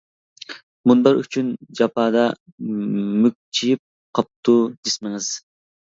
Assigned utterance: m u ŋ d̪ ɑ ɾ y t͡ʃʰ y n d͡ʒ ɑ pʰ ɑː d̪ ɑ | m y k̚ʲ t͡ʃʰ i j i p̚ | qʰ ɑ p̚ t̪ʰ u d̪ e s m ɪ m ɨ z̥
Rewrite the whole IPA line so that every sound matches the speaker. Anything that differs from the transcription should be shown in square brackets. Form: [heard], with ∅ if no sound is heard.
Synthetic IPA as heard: m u [n] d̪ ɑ ɾ y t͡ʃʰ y n d͡ʒ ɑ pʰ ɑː d̪ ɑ | m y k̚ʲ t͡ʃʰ i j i p̚ | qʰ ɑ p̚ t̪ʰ u d̪ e s m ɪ [ŋ] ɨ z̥